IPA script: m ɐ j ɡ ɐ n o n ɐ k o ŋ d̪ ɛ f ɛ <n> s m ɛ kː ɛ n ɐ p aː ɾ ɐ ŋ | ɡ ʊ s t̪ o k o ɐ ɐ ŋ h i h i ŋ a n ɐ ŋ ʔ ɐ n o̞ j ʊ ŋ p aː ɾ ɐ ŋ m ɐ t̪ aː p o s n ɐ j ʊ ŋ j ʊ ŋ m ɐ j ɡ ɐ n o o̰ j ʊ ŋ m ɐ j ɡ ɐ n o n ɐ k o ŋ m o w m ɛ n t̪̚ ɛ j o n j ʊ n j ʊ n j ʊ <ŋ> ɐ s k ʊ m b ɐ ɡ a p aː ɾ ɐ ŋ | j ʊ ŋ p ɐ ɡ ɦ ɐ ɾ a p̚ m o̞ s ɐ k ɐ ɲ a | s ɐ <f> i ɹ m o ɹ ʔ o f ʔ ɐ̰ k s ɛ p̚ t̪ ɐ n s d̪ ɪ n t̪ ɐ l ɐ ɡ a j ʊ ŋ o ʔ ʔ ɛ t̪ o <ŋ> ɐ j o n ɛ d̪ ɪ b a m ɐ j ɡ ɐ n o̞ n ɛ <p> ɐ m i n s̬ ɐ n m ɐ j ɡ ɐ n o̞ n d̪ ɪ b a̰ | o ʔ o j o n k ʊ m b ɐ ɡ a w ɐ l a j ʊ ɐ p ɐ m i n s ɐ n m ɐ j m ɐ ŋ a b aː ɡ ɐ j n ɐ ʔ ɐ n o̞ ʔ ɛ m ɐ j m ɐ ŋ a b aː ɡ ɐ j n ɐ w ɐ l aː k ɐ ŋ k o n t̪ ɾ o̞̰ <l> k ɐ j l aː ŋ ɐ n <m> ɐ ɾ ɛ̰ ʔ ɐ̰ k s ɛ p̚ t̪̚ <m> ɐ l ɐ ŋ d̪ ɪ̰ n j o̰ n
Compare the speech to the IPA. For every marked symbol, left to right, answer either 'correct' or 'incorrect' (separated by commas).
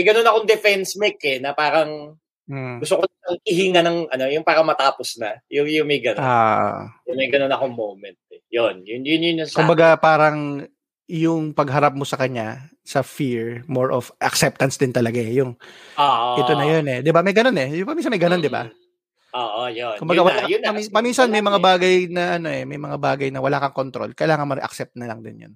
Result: correct, incorrect, correct, incorrect, correct, correct, correct, incorrect